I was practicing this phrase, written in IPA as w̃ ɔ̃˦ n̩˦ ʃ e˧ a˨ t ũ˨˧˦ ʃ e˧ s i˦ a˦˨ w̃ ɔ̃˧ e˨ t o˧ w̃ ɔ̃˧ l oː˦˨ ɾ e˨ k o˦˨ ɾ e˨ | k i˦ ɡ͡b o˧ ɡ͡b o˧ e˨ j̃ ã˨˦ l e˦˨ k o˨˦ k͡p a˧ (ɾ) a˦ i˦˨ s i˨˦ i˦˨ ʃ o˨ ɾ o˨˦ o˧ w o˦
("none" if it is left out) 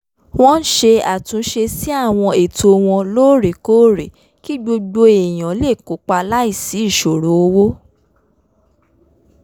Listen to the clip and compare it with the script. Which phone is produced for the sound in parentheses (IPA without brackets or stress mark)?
l